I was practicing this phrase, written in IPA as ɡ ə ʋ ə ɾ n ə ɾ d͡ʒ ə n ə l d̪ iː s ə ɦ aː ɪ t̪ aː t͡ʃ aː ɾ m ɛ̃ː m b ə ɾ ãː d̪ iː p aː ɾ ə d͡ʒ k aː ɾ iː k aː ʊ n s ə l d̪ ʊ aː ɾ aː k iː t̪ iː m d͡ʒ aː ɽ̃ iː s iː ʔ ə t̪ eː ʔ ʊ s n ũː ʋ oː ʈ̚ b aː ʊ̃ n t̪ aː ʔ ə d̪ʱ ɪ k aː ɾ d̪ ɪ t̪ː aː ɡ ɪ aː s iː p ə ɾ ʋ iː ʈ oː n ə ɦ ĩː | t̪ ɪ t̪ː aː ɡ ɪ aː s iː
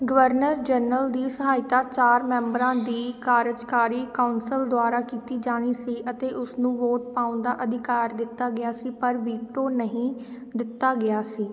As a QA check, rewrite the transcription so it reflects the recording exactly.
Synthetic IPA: ɡ ə ʋ ə ɾ n ə ɾ d͡ʒ ə n ə l d̪ iː s ə ɦ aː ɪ t̪ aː t͡ʃ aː ɾ m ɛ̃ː m b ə ɾ ãː d̪ iː k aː ɾ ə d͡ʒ k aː ɾ iː k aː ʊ n s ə l d̪ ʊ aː ɾ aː k iː t̪ iː d͡ʒ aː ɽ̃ iː s iː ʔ ə t̪ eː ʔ ʊ s n ũː ʋ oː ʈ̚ p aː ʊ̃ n d̪ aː ʔ ə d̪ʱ ɪ k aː ɾ d̪ ɪ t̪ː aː ɡ ɪ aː s iː p ə ɾ ʋ iː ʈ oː n ə ɦ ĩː | d̪ ɪ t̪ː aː ɡ ɪ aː s iː

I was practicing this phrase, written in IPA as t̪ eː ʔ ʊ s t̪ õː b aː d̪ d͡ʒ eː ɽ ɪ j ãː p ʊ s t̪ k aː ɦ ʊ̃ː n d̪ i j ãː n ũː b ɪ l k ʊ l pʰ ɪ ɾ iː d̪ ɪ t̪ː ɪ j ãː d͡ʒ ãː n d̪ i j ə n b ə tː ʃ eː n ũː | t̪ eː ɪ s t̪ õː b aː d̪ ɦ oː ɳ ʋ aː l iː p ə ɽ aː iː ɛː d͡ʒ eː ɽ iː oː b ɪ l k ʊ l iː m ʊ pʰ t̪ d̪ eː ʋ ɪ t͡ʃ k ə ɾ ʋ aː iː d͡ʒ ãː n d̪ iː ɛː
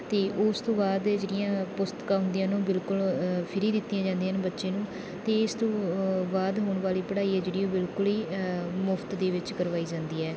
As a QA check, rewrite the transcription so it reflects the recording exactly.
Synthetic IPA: t̪ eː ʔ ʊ s t̪ õː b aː d̪ d͡ʒ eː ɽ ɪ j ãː p ʊ s t̪ k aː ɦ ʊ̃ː n d̪ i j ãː n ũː b ɪ l k ʊ l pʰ ɪ ɾ iː d̪ ɪ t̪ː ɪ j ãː d͡ʒ ãː n d̪ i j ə n b ə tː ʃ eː n ũː | t̪ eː ɪ s t̪ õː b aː d̪ ɦ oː ɳ ʋ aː l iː p ə ɽ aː iː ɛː d͡ʒ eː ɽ iː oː b ɪ l k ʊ l iː m ʊ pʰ t̪ d̪ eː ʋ ɪ t͡ʃ k ə ɾ ʋ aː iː d͡ʒ ãː n d̪ iː ɛː

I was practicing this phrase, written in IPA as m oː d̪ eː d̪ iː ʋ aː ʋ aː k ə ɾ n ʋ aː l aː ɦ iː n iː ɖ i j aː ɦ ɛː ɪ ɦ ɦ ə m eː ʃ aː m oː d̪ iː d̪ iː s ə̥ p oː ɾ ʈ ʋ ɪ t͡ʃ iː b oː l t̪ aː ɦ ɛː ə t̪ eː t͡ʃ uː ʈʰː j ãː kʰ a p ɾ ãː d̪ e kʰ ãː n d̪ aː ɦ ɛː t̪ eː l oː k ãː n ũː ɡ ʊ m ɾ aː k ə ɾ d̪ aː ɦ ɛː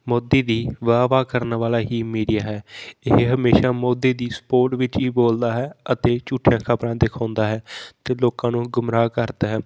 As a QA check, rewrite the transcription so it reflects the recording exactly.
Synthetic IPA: m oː d̪ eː d̪ iː ʋ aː ʋ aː k ə ɾ n ʋ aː l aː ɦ iː m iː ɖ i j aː ɦ ɛː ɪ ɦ ɦ ə m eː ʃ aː m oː d̪ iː d̪ iː s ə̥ p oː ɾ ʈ ʋ ɪ t͡ʃ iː b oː l d̪ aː ɦ ɛː ə t̪ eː t͡ʃ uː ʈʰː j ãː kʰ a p ɾ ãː d̪ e kʰ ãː n d̪ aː ɦ ɛː t̪ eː l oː k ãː n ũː ɡ ʊ m ɾ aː k ə ɾ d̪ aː ɦ ɛː

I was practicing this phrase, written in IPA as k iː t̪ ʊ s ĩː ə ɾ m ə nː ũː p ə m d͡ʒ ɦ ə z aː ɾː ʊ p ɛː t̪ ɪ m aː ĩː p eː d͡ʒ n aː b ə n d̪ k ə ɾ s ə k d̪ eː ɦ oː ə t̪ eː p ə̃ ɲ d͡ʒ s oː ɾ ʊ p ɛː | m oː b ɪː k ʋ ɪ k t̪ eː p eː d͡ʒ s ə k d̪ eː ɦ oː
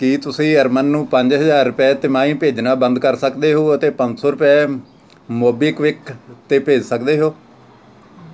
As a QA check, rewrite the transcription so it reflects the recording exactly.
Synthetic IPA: k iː t̪ ʊ s ĩː ə ɾ m ə nː ũː p ə ɲ d͡ʒ ɦ ə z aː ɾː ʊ p ɛː t̪ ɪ m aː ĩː p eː d͡ʒ n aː b ə n d̪ k ə ɾ s ə k d̪ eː ɦ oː ə t̪ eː p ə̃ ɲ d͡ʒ s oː ɾ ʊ p ɛː | m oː b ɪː k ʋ ɪ k t̪ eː p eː d͡ʒ s ə k d̪ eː ɦ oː

